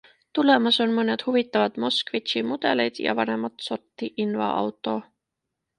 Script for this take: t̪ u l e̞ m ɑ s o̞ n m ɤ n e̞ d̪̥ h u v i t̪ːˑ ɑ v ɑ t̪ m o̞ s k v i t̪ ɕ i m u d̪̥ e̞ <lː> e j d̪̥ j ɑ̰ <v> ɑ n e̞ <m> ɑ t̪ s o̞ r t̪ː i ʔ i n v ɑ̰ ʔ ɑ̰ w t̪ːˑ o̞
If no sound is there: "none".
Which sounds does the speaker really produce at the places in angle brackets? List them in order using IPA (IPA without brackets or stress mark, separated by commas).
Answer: l, v, m